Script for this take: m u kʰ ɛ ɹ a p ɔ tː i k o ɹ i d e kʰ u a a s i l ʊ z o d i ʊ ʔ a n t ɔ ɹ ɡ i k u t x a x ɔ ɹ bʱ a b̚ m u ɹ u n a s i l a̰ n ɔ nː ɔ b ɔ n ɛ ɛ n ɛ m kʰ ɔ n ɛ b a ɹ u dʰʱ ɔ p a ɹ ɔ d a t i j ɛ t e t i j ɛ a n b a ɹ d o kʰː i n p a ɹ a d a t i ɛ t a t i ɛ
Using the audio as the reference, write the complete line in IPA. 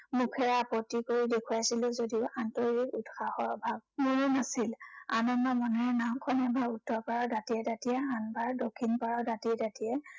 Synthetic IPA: m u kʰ ɛ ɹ a p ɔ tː i k o ɹ i d e kʰ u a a s i l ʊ z o d i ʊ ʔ a n t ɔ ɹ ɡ i k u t x a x ɔ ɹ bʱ a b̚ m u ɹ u n a s i l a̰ n ɔ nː ɔ m ɔ n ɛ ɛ n a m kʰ ɔ n ɛ b a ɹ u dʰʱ ɔ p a ɹ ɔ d a t i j ɛ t a t i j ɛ a n b a ɹ d o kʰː i n p a ɹ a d a t i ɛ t a t i ɛ

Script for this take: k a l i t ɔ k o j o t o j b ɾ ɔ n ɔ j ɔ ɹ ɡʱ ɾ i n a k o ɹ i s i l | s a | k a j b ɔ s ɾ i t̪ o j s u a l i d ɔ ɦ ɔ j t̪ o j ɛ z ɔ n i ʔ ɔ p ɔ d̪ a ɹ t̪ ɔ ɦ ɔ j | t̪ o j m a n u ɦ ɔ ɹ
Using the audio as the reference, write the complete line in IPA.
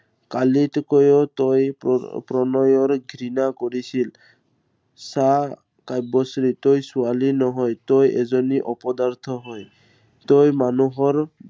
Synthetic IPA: k a l i t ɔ k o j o t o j p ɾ ɔ n ɔ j ɔ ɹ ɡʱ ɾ i n a k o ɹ i s i l | s a | k a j b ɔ s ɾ i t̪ o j s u a l i n ɔ ɦ ɔ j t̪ o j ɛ z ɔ n i ʔ ɔ p ɔ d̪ a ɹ t̪ʰ ɔ ɦ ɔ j | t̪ o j m a n u ɦ ɔ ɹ

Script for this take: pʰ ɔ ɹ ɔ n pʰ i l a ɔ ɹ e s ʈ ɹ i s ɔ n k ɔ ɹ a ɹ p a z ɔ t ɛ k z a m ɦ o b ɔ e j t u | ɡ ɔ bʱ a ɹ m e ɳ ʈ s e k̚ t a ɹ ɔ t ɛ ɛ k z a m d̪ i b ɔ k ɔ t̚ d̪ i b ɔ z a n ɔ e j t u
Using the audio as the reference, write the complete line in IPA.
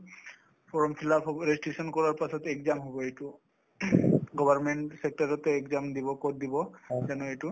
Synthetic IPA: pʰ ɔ ɹ ɔ m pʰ i l a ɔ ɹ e s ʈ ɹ i s ɔ n k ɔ ɹ a ɹ p a s ɔ t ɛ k z a m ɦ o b ɔ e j t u | ɡ ɔ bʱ a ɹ m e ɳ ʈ s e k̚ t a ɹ ɔ t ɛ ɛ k z a m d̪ i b ɔ k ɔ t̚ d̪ i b ɔ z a n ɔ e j t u

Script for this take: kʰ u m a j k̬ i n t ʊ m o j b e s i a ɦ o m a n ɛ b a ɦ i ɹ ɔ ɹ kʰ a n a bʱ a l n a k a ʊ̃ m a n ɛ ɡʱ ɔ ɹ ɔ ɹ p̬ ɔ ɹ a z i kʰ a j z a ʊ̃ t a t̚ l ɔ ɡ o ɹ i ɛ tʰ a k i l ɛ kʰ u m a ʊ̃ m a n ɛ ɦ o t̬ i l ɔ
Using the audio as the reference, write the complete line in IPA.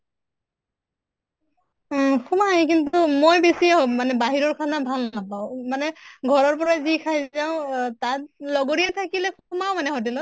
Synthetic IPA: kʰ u m a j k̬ i n t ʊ m o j b e s i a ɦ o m a n ɛ b a ɦ i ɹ ɔ ɹ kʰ a n a bʱ a l n a p a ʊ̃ m a n ɛ ɡʱ ɔ ɹ ɔ ɹ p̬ ɔ ɹ a z i kʰ a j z a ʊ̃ t a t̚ l ɔ ɡ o ɹ i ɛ tʰ a k i l ɛ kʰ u m a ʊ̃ m a n ɛ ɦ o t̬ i l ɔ

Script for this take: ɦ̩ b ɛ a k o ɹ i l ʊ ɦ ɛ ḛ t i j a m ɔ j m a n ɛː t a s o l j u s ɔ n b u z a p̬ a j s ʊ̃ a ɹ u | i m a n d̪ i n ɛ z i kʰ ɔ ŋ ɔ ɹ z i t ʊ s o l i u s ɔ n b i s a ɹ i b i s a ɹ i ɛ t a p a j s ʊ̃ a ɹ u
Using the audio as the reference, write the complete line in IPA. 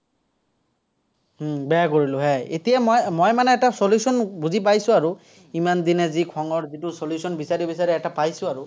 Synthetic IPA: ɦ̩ b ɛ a k o ɹ i l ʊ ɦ ɛ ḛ t i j a m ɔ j m a n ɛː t a s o l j u s ɔ n b u z i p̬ a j s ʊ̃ a ɹ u | i m a n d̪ i n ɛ z i kʰ ɔ ŋ ɔ ɹ z i t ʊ s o l j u s ɔ n b i s a ɹ i b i s a ɹ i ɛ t a p a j s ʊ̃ a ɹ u

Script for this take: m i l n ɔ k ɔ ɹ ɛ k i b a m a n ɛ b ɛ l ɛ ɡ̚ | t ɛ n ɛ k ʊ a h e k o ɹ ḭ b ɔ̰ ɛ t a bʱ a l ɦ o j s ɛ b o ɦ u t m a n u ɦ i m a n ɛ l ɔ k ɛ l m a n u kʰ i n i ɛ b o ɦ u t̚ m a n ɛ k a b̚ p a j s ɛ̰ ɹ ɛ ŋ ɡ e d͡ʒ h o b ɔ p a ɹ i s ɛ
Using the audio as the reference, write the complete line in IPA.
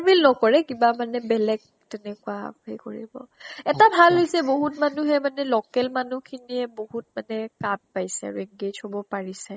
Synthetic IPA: m i l n ɔ k ɔ ɹ ɛ k i b a m a n ɛ b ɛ l ɛ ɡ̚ | t ɛ n ɛ k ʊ a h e k o ɹ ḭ b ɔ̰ ɛ t a bʱ a l ɦ o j s ɛ b o ɦ u t m a n u ɦ ɛ m a n ɛ l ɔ k ɛ l m a n u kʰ i n i ɛ b o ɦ u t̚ m a n ɛ k a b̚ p a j s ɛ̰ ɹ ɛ ŋ ɡ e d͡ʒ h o b ɔ p a ɹ i s ɛ

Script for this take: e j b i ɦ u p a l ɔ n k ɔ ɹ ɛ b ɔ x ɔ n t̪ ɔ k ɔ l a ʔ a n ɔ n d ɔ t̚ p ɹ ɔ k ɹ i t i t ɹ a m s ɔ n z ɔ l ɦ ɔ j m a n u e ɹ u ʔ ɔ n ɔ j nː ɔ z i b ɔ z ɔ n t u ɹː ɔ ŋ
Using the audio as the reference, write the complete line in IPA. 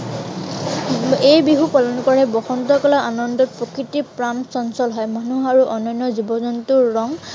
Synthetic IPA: e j b i ɦ u p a l ɔ n k ɔ ɹ ɛ b ɔ x ɔ n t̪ ɔ k ɔ l a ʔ a n ɔ n d ɔ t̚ p ɹ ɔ k ɹ i t i p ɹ a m s ɔ n s ɔ l ɦ ɔ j m a n u a ɹ u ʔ ɔ n ɔ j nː ɔ z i b ɔ z ɔ n t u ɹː ɔ ŋ

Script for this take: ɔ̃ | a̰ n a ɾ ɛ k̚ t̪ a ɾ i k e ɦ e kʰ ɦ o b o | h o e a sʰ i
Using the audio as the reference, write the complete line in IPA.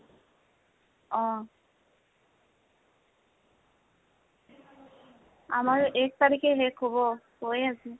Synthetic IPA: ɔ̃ | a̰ m a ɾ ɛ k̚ t̪ a ɾ i k e ɦ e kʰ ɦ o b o | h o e a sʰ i

